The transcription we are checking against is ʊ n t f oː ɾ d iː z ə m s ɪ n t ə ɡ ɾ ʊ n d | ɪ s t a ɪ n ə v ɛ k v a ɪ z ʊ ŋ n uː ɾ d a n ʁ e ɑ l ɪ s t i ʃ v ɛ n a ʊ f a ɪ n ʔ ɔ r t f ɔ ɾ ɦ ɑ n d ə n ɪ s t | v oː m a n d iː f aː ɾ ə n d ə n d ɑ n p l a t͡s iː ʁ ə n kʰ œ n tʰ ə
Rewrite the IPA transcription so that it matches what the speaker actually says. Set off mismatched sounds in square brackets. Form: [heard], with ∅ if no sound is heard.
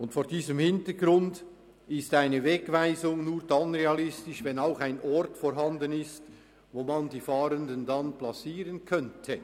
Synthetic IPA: ʊ n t f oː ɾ d iː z ə m [h] ɪ n t ə ɡ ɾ ʊ n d | ɪ s t a ɪ n ə v ɛ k v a ɪ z ʊ ŋ n uː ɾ d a n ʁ e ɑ l ɪ s t [ɪ] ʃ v ɛ n a ʊ [x] a ɪ n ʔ ɔ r t f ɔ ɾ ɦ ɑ n d ə n ɪ s t | v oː m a n d iː f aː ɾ ə n d ə n d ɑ n p l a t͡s iː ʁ ə n kʰ œ n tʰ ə